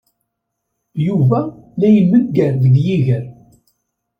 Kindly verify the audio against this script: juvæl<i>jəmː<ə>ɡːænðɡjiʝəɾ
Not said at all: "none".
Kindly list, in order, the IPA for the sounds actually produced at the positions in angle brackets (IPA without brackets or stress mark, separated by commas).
æ, ə